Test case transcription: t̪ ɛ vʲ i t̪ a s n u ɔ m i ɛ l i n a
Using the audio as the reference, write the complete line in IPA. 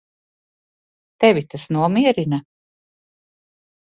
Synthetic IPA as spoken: t̪ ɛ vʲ i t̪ a s n u ɔ m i ɛ ɾ i n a